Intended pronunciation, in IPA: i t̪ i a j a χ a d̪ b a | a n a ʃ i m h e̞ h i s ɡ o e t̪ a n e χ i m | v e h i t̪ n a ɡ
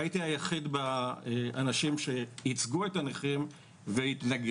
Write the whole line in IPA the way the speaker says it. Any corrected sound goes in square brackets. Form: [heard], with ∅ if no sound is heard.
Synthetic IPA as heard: i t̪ i a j a χ [i] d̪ b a | a n a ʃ i m [ʃ] e̞ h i [t͡s] ɡ [u] e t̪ a n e χ i m | v e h i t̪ n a ɡ